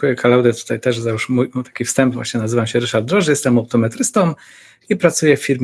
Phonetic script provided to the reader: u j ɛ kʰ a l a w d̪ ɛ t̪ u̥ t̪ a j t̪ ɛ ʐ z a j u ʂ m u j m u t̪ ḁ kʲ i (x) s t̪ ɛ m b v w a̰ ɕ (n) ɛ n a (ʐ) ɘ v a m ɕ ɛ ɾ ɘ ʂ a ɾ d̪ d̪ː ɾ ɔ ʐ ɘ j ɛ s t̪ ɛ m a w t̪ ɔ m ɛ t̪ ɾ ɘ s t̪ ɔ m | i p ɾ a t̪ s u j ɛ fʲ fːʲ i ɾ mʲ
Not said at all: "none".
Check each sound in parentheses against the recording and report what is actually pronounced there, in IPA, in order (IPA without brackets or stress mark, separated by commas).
f, ɲ, z